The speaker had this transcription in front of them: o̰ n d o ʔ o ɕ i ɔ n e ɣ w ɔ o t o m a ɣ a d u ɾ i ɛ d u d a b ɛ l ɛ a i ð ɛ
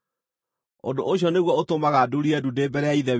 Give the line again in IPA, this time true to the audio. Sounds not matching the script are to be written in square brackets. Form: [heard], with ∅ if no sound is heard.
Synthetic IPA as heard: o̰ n d o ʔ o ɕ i ɔ n e ɣ w ɔ o t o m a ɣ a d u ɾ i ɛ d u d [e] b ɛ [ɾ] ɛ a i ð ɛ